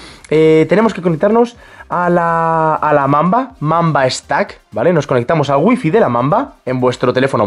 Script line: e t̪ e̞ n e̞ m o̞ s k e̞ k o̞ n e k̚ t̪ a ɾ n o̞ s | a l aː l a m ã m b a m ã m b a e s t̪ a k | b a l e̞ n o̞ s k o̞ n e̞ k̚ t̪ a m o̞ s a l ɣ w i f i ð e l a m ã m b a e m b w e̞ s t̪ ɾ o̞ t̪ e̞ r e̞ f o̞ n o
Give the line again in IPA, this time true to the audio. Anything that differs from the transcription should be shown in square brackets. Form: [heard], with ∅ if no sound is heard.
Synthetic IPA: e t̪ e̞ n e̞ m o̞ s k e̞ k o̞ n e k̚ t̪ a ɾ n o̞ s | a l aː l a m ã m b a m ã m b a e s t̪ a k | b a l e̞ n o̞ s k o̞ n e̞ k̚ t̪ a m o̞ s a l ɣ w i f i ð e l a m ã m b a e m b w e̞ s t̪ ɾ o̞ t̪ e̞ [l] e̞ f o̞ n o